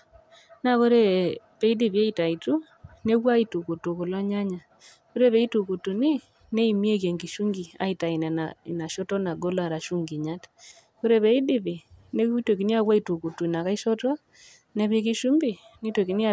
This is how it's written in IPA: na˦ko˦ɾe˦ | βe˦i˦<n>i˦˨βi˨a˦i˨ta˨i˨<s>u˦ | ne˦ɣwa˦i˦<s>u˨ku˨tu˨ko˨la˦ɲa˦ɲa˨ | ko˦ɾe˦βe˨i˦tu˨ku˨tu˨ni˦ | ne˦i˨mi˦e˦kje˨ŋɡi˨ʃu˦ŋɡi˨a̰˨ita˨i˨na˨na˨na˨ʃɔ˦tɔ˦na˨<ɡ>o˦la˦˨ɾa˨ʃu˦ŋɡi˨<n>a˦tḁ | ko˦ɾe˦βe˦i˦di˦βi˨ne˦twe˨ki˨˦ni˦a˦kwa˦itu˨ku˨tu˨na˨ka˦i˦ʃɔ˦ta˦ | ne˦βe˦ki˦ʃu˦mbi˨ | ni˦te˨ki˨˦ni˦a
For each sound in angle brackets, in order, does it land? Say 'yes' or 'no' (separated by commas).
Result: no, no, no, yes, no